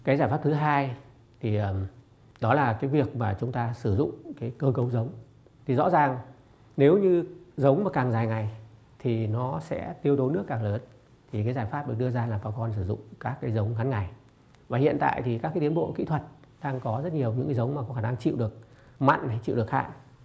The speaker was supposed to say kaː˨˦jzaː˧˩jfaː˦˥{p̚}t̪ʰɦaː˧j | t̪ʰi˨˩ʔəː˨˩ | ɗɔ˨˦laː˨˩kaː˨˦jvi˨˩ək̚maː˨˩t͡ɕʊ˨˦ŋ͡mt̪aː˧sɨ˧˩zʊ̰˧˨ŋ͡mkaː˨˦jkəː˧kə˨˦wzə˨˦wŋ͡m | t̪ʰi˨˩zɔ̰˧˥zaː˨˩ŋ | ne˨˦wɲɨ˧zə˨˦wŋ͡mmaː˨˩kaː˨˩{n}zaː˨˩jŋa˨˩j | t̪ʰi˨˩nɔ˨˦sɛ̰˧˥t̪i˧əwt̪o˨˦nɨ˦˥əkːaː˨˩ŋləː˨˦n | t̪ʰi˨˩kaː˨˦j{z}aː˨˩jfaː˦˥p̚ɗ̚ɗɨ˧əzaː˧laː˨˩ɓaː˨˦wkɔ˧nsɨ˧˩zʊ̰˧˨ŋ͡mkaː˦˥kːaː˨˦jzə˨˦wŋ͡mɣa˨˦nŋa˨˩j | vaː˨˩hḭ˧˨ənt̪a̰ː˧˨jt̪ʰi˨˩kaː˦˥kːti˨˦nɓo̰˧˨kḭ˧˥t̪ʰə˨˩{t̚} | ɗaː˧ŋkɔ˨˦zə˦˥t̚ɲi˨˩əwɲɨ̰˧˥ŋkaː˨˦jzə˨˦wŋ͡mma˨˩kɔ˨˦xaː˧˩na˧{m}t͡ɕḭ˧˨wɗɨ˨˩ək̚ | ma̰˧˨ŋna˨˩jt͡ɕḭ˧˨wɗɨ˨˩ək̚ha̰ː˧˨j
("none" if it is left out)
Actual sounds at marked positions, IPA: p̚, ŋ, z, t̚, ŋ

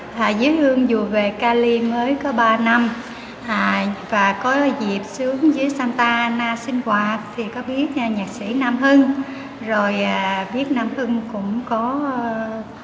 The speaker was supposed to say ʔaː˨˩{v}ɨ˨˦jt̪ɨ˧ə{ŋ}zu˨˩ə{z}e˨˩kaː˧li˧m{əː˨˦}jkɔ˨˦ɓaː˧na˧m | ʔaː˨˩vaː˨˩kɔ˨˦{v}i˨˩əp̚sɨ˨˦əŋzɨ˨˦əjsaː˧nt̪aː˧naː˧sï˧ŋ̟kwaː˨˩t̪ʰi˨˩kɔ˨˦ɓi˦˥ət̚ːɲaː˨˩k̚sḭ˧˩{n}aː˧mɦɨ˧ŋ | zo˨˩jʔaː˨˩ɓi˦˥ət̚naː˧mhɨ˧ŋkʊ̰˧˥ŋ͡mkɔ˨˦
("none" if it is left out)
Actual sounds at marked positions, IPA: z, ŋ, v, əː˨˦, z, n

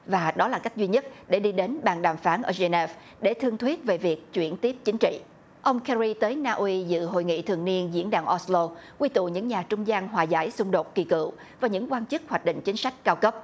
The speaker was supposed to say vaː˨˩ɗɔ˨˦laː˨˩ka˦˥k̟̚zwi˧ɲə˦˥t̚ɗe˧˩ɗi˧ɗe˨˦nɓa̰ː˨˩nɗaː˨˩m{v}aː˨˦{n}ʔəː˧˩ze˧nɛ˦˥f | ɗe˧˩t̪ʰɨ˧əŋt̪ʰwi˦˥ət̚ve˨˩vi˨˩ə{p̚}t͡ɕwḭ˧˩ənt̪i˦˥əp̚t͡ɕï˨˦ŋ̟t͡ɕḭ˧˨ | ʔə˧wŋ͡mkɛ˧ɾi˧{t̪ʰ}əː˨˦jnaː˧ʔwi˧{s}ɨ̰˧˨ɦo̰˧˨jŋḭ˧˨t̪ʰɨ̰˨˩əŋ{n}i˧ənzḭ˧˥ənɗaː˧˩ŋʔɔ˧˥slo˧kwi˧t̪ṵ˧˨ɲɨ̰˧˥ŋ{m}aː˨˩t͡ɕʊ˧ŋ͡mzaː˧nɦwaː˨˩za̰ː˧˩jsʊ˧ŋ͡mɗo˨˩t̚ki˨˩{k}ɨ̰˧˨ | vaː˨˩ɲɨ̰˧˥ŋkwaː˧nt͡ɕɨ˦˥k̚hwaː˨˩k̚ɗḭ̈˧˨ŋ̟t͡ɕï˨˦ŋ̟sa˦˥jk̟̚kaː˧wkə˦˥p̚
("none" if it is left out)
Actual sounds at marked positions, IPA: f, n, k̚, t̪, z, n, ɲ, k

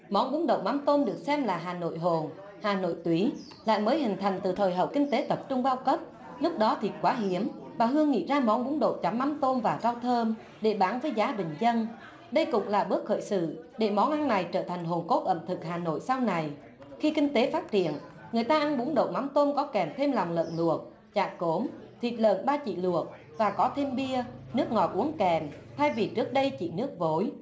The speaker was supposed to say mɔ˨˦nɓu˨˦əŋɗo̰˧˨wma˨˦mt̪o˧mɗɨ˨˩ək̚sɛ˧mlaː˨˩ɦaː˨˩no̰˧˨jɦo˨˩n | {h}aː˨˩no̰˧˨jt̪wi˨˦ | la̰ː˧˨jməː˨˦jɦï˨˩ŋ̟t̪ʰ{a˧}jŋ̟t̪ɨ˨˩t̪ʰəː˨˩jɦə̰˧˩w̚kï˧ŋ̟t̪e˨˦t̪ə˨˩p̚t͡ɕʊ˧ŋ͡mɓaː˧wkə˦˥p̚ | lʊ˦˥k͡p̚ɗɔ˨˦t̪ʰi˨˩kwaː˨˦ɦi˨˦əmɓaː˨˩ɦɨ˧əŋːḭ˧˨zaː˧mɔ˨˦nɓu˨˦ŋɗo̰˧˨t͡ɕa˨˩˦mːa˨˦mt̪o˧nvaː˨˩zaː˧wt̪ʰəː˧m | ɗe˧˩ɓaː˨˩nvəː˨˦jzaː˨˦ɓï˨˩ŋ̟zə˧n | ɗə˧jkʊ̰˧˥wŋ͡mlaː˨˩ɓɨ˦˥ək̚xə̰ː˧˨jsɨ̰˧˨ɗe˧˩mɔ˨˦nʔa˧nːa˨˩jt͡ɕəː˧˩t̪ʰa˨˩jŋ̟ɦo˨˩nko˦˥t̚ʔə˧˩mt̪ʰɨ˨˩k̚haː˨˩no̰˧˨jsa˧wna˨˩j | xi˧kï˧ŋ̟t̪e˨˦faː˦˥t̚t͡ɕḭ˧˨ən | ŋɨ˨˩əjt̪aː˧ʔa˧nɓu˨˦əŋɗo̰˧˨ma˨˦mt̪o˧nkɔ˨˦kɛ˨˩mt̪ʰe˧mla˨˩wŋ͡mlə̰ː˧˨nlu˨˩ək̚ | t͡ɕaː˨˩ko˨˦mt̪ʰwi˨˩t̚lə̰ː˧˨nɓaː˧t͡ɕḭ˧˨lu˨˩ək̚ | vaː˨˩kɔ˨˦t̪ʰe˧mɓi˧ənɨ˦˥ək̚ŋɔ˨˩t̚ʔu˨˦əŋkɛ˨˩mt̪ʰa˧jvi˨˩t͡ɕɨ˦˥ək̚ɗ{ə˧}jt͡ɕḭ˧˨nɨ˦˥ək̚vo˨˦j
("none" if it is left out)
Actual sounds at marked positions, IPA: h, a˨˩, ə˧

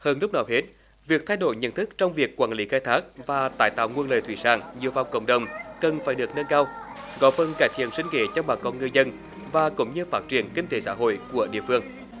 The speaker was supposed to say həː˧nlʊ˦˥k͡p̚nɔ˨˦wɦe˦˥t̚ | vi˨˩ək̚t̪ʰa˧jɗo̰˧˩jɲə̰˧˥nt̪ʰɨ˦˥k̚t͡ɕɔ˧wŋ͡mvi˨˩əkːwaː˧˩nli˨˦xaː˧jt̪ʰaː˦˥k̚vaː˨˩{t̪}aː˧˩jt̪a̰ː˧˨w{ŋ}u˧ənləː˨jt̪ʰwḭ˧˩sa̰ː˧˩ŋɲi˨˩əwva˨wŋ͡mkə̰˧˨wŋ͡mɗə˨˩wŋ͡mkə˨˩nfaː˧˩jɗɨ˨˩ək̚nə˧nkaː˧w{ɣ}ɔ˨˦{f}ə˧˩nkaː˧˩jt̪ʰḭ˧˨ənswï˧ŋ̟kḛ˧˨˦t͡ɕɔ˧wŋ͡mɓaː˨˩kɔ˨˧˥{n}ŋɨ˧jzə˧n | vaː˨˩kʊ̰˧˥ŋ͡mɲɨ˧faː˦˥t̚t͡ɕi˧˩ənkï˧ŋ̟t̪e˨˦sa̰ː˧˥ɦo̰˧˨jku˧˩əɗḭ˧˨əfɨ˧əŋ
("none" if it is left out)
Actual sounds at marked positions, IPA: t̪, ŋ, ɣ, f, n

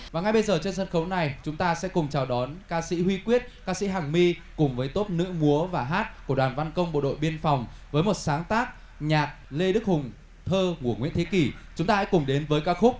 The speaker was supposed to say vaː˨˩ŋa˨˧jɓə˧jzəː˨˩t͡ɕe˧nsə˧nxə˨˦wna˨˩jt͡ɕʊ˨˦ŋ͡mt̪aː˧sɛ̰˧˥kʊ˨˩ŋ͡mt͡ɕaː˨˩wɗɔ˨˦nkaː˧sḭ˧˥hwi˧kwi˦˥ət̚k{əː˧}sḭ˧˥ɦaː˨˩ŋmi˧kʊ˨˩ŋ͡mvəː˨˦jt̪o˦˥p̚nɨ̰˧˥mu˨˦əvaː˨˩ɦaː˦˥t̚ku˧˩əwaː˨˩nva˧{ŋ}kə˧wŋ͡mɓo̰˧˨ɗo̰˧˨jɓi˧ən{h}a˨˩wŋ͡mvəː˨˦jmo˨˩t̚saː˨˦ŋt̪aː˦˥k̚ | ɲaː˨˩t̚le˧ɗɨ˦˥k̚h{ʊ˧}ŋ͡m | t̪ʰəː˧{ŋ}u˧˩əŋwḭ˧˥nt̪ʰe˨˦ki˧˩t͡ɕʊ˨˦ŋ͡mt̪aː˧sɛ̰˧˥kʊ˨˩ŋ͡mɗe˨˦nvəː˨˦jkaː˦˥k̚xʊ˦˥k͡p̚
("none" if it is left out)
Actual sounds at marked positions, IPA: aː˧, n, f, ʊ˨˩, ŋ

